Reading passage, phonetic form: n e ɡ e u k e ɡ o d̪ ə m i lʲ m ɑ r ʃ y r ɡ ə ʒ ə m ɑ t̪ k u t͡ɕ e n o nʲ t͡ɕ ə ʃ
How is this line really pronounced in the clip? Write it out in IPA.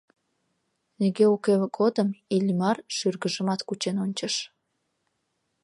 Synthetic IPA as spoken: n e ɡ e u k e ɡ o d̪ ə m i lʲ m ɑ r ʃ y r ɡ ə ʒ ə m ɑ t̪ k u t͡ɕ e n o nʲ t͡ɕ ə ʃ